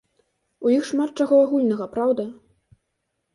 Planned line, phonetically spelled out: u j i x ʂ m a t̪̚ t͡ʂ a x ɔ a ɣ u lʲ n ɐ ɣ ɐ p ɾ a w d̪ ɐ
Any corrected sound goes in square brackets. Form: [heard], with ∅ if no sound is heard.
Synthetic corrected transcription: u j i x ʂ m a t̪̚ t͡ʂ a [ɣ] ɔ a ɣ u lʲ n ɐ ɣ ɐ p ɾ a w d̪ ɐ